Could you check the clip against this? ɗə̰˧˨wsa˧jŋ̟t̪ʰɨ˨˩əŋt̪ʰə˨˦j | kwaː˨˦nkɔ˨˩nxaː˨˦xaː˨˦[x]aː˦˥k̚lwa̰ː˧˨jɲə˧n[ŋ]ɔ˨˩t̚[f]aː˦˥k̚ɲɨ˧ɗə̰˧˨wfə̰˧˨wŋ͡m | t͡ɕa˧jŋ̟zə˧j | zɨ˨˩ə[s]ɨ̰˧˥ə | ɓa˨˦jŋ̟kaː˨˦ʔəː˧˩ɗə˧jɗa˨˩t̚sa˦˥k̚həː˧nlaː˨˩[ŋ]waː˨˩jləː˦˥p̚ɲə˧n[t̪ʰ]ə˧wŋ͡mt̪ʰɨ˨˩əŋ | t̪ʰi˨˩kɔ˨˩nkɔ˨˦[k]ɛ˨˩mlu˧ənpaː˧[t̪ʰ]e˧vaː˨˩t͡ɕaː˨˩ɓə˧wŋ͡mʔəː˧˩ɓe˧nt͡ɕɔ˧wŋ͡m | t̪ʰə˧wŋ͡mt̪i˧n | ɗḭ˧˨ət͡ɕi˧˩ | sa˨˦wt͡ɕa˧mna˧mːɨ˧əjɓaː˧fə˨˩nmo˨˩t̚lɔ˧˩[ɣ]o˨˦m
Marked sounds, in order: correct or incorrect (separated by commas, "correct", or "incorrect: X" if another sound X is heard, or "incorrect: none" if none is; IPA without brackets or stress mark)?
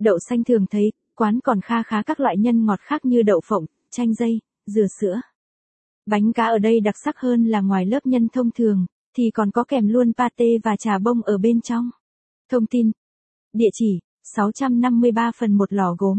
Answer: incorrect: k, correct, incorrect: x, correct, correct, correct, correct, incorrect: t̪, correct